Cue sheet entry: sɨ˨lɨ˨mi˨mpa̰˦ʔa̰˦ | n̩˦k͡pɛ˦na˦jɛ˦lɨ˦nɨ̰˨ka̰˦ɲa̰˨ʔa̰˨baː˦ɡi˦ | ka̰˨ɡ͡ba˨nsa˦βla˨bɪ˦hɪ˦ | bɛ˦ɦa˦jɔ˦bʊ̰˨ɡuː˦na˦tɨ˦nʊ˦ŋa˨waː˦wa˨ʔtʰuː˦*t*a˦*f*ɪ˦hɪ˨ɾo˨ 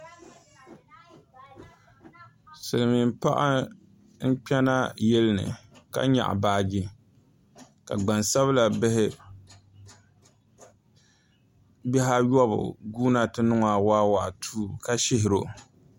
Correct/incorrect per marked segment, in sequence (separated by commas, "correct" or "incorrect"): incorrect, incorrect